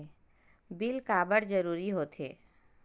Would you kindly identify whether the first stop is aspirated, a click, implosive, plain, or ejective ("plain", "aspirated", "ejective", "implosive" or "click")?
plain